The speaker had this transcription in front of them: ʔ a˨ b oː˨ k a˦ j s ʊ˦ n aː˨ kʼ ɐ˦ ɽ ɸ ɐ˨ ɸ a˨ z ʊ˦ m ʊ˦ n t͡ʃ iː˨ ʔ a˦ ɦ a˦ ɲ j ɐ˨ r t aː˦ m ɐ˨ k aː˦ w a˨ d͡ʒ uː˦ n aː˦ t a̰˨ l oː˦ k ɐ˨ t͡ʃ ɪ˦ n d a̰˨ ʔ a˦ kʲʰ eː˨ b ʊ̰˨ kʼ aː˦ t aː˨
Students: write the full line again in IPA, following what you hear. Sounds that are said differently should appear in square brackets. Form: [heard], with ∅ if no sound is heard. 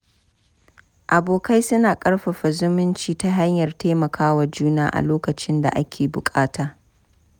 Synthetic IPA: ʔ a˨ b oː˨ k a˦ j s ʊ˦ n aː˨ kʼ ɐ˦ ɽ ɸ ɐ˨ ɸ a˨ z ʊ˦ m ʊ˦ n t͡ʃ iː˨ [t] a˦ ɦ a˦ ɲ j ɐ˨ r t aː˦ m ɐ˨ k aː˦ w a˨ d͡ʒ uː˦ n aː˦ [ʔ] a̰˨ l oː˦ k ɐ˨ t͡ʃ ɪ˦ n d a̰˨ ʔ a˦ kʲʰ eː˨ b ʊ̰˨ kʼ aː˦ t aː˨